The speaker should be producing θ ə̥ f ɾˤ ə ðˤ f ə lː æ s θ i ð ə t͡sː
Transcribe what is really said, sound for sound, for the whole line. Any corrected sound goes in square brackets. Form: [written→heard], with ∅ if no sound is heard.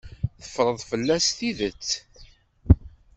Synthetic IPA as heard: θ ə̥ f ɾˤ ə ðˤ f ə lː æ s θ i ð ə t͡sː